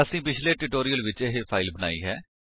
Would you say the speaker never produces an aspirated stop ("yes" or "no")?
no